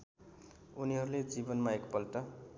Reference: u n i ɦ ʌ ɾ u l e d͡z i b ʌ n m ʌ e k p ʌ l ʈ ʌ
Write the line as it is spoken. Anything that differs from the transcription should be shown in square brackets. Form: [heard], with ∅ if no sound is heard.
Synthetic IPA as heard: u n i ɦ ʌ ɾ u l e d͡z i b ʌ n m [a] e k p ʌ l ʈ ʌ